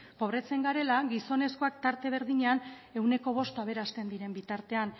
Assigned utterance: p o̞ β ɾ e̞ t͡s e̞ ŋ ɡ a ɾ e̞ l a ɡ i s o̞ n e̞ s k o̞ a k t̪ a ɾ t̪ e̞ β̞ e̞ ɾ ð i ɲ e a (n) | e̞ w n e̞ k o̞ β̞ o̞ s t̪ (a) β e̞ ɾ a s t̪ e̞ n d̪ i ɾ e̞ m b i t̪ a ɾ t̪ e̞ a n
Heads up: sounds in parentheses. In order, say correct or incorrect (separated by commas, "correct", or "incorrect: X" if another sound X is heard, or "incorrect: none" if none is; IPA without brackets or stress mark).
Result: correct, correct